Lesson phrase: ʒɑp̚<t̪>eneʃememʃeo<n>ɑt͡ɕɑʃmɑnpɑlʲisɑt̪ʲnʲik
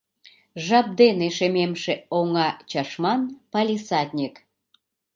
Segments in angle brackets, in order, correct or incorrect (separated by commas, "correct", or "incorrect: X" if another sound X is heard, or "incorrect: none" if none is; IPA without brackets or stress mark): incorrect: d̪, incorrect: ŋ